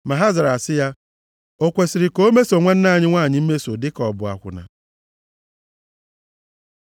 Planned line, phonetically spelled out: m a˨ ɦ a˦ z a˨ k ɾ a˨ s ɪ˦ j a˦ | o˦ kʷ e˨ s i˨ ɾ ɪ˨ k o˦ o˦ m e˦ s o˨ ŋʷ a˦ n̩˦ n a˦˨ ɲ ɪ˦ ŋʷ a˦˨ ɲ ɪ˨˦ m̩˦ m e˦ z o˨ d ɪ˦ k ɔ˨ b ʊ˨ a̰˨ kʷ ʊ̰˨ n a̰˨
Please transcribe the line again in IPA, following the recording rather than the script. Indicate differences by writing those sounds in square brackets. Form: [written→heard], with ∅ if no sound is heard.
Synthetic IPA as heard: m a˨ ɦ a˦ z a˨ [k→∅] ɾ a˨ s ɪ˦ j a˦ | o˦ kʷ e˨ s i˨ ɾ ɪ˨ k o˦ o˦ m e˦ s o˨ ŋʷ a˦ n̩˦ n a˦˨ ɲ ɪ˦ ŋʷ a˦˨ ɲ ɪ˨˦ m̩˦ m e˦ [z→s] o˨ d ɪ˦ k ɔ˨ b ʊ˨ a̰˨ kʷ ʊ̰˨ n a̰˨